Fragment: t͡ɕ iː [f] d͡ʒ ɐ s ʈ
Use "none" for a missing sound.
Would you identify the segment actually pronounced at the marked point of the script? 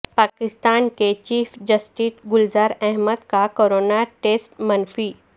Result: f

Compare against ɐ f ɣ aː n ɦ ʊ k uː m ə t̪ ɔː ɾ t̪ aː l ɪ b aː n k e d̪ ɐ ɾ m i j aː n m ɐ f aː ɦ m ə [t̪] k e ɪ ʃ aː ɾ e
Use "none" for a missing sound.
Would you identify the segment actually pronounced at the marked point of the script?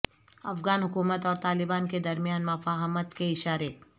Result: t̪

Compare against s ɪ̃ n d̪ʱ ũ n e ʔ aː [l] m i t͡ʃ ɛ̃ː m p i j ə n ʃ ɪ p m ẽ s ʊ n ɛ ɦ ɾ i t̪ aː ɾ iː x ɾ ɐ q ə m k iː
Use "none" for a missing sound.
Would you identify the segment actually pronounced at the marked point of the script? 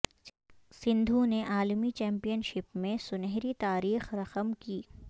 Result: l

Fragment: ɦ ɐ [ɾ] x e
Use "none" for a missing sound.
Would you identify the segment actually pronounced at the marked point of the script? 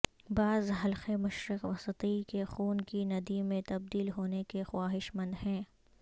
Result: l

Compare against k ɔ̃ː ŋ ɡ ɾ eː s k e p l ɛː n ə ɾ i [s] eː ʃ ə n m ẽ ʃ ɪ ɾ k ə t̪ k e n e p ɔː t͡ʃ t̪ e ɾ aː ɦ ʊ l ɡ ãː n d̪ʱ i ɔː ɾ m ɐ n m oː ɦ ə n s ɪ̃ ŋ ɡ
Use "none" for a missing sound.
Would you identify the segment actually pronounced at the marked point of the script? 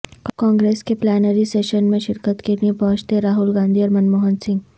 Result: s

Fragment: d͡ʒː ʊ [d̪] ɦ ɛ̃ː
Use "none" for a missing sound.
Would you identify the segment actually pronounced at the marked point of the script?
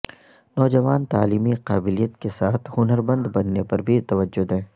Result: d̪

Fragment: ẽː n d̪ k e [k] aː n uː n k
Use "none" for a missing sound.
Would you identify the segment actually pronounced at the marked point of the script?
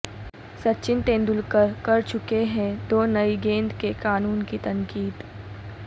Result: k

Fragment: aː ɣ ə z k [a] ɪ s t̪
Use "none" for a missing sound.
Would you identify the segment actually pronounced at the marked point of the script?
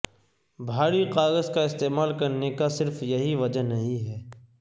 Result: a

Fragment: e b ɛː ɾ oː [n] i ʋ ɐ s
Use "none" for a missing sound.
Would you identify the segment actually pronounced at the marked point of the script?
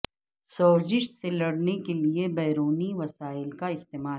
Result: n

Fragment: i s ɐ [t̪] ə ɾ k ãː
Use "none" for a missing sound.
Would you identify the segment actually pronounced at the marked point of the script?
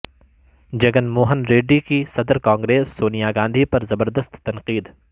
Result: d̪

